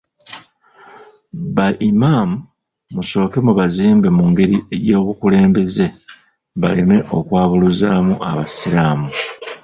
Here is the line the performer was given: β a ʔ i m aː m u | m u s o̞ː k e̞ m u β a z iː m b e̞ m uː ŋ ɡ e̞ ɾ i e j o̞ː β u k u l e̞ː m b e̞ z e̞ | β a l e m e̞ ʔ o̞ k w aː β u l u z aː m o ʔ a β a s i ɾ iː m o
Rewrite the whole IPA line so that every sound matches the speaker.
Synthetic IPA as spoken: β a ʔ i m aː m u | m u s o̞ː k e̞ m u β a z iː m b e̞ m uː ŋ ɡ e̞ ɾ i e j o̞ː β u k u l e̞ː m b e̞ z e̞ | β a l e m e̞ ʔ o̞ k w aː β u l u z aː m u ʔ a β a s i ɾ aː m u